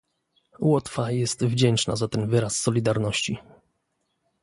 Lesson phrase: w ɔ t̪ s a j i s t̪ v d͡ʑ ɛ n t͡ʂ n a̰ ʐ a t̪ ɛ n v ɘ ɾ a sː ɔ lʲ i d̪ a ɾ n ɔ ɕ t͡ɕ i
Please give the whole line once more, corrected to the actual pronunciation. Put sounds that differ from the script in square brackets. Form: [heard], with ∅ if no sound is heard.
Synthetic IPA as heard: w ɔ t̪ [f] a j [ɛ] s t̪ v d͡ʑ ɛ n t͡ʂ n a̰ [z] a t̪ ɛ n v ɘ ɾ a sː ɔ lʲ i d̪ a ɾ n ɔ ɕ t͡ɕ i